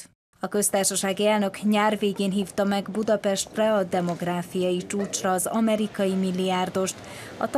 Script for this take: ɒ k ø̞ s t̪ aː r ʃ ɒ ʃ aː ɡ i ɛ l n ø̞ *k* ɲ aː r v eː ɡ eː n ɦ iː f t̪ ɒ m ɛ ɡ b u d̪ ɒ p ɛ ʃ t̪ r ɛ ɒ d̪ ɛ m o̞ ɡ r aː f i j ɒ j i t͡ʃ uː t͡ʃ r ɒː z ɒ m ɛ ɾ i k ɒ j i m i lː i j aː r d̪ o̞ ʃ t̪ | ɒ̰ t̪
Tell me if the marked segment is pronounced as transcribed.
yes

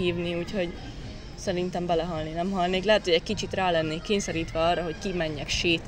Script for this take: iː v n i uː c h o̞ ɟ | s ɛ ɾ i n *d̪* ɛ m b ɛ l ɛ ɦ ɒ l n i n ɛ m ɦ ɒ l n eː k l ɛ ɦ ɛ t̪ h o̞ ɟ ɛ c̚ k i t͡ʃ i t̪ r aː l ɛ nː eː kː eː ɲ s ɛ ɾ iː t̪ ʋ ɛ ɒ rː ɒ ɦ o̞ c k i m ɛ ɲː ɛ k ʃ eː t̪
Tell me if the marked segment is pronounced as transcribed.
no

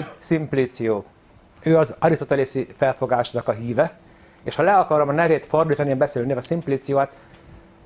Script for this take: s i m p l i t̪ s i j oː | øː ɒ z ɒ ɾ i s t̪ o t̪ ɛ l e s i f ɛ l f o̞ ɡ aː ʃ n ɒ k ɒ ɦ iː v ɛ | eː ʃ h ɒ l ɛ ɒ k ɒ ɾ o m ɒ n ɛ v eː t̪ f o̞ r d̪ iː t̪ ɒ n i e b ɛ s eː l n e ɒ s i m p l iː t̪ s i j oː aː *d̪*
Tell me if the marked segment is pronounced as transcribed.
no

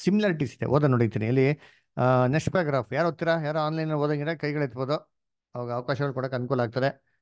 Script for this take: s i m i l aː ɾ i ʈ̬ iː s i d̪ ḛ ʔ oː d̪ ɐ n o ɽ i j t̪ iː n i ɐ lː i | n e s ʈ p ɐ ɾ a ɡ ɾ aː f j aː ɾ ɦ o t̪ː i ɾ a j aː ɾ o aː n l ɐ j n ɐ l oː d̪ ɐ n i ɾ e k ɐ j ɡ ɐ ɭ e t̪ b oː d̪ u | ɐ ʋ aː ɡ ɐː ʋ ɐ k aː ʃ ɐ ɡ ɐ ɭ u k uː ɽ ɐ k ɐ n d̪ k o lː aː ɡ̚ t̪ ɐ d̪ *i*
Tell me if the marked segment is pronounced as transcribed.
no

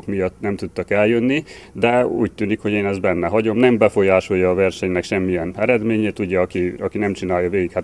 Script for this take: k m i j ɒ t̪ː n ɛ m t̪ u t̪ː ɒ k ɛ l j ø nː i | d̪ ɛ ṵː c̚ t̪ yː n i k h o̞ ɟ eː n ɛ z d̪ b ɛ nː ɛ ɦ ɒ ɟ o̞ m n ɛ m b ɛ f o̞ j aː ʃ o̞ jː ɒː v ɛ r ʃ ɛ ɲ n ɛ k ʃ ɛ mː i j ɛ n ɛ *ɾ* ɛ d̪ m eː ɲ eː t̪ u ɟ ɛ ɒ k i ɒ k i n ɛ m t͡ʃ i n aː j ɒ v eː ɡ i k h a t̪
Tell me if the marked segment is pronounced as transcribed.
yes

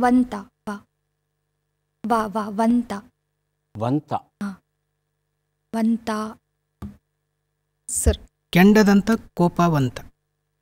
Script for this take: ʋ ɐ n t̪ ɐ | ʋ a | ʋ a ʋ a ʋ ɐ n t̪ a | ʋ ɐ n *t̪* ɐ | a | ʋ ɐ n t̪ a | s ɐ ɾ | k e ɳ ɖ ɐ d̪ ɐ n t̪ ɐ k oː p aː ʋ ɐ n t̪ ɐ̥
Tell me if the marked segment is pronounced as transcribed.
yes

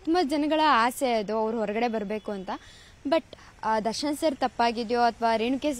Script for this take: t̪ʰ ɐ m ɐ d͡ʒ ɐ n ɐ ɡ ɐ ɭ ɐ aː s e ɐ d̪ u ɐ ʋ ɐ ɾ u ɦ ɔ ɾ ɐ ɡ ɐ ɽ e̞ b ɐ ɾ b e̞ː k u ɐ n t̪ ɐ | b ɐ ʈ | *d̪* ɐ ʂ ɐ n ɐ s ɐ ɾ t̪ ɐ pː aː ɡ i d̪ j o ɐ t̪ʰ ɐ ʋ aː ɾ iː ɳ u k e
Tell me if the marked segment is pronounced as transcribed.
yes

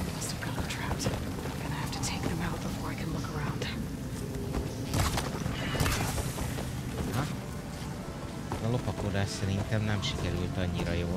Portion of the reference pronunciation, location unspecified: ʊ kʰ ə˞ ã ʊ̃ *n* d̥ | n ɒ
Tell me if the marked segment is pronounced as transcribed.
yes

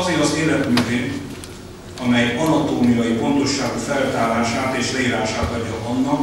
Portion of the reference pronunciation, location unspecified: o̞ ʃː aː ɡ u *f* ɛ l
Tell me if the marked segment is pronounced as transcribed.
yes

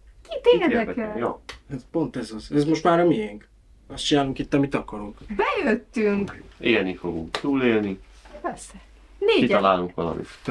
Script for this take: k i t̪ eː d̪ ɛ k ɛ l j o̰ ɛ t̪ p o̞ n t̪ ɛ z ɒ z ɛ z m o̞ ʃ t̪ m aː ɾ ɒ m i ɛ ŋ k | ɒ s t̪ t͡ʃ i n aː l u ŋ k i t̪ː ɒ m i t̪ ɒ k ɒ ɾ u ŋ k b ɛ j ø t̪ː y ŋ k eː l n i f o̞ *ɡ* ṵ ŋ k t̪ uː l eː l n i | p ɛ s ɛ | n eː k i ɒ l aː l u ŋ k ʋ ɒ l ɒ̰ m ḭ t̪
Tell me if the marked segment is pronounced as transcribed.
yes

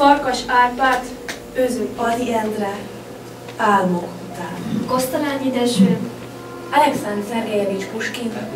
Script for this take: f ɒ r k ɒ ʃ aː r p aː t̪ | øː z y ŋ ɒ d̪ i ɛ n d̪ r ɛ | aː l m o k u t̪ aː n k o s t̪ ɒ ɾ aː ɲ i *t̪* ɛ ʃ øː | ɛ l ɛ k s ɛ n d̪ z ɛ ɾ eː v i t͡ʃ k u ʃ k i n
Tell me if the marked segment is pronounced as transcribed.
no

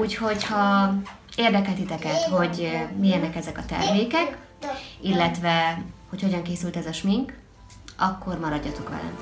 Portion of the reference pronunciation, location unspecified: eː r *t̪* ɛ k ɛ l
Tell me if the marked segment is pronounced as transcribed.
no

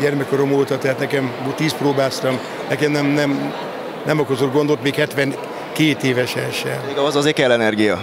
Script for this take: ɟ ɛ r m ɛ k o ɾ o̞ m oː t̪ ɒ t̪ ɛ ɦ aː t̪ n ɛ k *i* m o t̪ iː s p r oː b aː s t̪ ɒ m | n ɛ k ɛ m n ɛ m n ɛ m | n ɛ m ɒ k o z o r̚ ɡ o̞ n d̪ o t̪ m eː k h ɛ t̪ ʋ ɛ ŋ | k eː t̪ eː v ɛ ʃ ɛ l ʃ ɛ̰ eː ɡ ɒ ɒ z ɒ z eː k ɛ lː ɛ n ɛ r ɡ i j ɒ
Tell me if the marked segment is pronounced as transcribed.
no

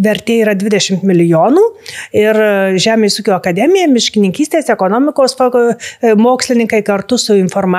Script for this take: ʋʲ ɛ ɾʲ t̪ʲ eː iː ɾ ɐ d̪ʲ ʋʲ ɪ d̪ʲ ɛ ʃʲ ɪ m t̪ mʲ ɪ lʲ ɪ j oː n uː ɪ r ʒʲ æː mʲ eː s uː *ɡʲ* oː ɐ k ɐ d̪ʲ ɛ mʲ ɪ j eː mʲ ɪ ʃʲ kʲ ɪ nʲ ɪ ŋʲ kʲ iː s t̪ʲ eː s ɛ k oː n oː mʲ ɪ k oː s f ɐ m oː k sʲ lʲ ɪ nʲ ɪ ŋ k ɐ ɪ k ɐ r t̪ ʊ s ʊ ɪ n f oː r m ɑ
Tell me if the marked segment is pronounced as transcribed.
no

